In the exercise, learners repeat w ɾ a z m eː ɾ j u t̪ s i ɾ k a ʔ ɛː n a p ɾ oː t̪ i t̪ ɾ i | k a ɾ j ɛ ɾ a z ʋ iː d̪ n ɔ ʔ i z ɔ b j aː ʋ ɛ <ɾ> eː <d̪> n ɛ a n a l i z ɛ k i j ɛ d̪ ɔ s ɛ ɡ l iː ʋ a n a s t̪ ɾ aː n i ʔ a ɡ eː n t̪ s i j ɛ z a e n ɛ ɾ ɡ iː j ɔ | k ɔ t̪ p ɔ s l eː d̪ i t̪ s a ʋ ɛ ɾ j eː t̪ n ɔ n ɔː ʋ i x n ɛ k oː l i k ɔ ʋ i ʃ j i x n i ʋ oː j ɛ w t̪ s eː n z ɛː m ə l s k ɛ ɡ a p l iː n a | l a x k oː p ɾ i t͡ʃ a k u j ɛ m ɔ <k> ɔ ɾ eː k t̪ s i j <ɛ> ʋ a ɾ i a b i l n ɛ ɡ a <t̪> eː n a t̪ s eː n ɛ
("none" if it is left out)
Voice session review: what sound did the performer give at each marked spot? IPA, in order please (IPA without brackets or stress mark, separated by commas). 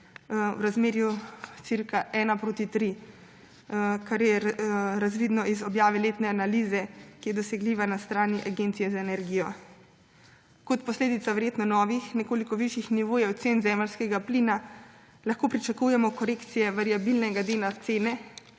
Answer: l, t̪, k, ɛ, d̪